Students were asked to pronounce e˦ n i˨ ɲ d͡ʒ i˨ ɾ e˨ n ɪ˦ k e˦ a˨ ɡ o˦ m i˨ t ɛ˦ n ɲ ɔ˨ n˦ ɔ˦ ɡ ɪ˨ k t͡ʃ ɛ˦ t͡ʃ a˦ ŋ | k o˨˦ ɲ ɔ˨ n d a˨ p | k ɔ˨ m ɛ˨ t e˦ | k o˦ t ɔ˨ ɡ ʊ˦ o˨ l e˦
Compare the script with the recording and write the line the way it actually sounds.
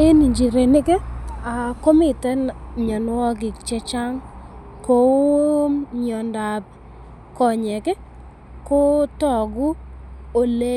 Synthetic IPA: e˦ n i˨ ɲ d͡ʒ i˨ ɾ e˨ n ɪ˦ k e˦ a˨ k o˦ m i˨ t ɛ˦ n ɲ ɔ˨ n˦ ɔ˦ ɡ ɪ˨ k t͡ʃ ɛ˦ t͡ʃ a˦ ŋ | k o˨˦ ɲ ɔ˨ n d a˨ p | k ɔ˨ ɲ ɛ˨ k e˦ | k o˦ t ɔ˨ ɡ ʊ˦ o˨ l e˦

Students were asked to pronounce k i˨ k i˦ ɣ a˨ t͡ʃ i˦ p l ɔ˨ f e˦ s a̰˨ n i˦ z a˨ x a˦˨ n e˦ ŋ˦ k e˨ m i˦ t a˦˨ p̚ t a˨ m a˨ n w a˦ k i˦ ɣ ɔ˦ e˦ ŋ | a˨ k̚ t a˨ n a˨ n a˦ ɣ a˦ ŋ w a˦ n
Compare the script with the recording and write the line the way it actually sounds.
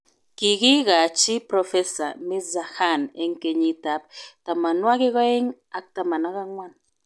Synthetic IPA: k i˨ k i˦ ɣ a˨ t͡ʃ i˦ p ɾ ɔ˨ f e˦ s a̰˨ m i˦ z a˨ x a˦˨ n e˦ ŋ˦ k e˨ ɲ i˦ t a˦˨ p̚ t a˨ m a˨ n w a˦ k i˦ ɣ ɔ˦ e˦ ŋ | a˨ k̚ t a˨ m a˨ n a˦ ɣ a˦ ŋ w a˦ n

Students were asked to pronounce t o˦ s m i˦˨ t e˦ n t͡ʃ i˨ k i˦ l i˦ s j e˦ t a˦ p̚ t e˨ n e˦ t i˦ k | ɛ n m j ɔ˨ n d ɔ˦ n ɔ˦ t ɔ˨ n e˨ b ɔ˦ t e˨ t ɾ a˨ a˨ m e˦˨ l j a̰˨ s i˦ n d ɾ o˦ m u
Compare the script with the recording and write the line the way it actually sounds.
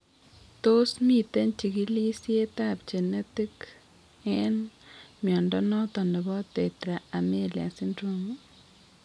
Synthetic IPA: t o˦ s m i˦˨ t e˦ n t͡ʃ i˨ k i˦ l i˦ s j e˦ t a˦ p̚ t͡ʃ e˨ n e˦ t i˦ k | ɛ n m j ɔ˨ n d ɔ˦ n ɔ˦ t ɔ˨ n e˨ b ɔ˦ t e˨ t ɾ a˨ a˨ m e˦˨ l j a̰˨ s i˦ n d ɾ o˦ m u

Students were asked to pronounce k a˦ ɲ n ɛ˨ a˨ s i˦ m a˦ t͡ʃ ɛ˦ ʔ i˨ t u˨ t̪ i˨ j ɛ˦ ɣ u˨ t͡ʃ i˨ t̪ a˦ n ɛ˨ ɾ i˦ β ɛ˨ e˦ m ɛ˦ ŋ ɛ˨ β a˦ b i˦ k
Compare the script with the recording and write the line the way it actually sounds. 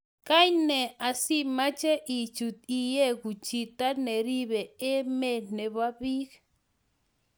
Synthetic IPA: k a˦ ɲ n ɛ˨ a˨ s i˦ m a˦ t͡ʃ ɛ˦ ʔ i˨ t͡ʃ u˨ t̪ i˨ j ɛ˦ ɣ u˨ t͡ʃ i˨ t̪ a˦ n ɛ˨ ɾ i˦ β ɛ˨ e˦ m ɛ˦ n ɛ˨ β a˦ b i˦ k

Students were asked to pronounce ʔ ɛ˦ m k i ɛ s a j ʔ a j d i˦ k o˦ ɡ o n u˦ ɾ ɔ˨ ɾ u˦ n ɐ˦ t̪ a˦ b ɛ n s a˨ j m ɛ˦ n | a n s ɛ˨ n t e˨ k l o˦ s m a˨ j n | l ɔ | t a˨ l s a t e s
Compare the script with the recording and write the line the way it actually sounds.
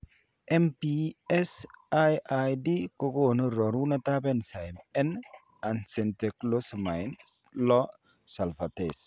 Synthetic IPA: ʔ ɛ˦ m p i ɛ s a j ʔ a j d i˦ k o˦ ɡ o n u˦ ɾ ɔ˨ ɾ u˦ n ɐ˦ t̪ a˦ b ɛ n s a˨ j m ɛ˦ n | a n s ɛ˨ n t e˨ k l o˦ s m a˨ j n | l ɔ | s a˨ l f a t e s

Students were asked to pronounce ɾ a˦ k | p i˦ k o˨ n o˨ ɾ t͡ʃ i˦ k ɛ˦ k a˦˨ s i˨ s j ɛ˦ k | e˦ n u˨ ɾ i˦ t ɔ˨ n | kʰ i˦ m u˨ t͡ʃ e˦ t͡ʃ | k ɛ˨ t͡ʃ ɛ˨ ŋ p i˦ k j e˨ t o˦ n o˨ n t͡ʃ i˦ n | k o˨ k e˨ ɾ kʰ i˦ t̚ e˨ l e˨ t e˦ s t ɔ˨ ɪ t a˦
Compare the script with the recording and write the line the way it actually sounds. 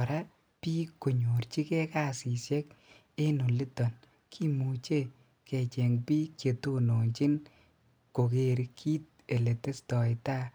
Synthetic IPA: ɾ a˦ | p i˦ k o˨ ɲ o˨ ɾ t͡ʃ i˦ k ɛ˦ k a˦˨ s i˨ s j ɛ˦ k | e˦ n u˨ l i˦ t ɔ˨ n | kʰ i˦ m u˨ t͡ʃ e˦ | k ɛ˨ t͡ʃ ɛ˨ ŋ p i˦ k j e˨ t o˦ n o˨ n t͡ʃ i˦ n | k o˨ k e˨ ɾ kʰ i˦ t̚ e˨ l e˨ t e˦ s t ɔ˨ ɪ t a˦

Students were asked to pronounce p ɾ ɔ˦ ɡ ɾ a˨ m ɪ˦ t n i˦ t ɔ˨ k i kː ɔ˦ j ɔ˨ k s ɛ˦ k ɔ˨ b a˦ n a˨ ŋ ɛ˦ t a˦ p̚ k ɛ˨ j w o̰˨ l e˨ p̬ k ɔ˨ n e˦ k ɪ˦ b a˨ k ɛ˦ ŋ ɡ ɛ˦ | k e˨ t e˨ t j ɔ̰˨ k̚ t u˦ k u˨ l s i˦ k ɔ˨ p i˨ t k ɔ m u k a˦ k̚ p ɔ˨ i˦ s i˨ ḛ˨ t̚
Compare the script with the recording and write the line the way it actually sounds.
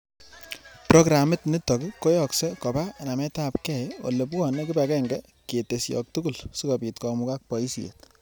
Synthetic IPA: p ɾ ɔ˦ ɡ ɾ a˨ m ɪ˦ t n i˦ t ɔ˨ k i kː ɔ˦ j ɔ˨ k s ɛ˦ k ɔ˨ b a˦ n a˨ m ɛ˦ t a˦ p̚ k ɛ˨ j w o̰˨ l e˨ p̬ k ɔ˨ n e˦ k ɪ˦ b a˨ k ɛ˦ ŋ ɡ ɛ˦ | k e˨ t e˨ s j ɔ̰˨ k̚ t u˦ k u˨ l s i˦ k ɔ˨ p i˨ t k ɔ m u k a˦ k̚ p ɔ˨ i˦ s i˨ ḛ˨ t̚

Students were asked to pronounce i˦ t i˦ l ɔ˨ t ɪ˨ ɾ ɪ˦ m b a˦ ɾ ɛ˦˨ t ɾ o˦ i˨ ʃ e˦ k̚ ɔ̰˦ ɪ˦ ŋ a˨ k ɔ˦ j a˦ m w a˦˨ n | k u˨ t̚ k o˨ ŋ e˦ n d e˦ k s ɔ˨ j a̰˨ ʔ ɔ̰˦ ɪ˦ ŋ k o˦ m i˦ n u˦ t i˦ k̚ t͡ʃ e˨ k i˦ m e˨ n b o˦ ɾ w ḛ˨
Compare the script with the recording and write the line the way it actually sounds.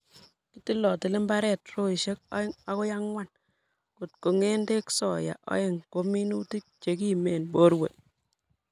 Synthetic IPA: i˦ t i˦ l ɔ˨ t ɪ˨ l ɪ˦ m b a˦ ɾ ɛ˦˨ t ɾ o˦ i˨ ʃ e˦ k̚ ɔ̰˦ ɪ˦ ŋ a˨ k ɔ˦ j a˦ ŋ w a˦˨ n | k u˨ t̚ k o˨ ŋ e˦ n d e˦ k s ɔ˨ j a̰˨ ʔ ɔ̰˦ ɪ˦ ŋ k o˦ m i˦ n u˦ t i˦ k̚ t͡ʃ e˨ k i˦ m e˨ n b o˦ ɾ w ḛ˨

